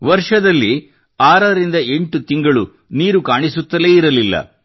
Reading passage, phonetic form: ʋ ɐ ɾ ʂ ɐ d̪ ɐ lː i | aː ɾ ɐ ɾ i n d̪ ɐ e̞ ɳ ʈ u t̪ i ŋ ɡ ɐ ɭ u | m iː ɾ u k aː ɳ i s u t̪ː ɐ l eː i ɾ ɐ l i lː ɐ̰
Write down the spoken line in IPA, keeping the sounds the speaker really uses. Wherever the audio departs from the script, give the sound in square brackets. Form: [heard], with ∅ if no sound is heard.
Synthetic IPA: ʋ ɐ ɾ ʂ ɐ d̪ ɐ lː i | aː ɾ ɐ ɾ i n d̪ ɐ e̞ ɳ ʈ u t̪ i ŋ ɡ ɐ ɭ u | [n] iː ɾ u k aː ɳ i s u t̪ː ɐ l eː i ɾ ɐ l i lː ɐ̰